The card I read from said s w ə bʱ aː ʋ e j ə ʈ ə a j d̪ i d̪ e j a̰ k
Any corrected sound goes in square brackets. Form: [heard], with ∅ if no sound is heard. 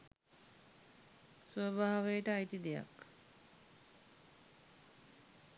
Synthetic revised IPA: s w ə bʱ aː ʋ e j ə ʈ ə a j [t̪] i d̪ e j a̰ k